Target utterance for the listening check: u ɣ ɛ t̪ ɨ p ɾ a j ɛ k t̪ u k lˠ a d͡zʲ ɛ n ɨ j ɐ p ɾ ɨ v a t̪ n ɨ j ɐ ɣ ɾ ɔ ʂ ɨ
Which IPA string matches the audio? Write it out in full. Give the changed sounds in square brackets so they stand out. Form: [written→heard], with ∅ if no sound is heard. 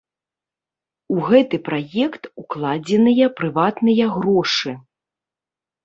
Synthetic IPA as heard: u ɣ ɛ t̪ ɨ p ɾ a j ɛ k t̪ u k lˠ a d͡zʲ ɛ n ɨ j ɐ p ɾ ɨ v a t̪ n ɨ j ɐ ɣ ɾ ɔ ʂ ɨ